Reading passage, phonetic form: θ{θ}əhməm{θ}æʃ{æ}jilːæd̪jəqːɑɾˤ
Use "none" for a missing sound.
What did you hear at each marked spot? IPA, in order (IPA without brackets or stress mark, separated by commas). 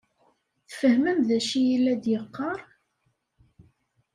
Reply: f, ð, i